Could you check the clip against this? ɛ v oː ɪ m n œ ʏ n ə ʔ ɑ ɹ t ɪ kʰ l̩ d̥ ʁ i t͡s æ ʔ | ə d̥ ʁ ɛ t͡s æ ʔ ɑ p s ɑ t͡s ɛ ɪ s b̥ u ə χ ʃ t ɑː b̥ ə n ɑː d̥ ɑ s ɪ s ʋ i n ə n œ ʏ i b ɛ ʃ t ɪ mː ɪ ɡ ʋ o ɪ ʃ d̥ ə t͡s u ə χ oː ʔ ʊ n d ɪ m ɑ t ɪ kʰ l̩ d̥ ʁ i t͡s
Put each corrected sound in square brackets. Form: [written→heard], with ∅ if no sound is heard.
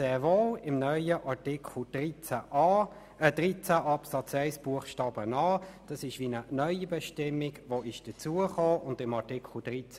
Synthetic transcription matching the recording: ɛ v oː ɪ m n œ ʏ [n→∅] ə ʔ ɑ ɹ t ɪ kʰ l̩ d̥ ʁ i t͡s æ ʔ | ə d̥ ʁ [ɛ→i] t͡s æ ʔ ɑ p s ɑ t͡s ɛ ɪ s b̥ u ə χ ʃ t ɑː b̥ ə n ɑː d̥ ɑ s ɪ [s→ʃ] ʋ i n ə n œ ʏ i b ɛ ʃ t ɪ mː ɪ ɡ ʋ o ɪ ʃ d̥ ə t͡s u ə χ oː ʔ ʊ n d ɪ m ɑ t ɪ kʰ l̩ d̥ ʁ i t͡s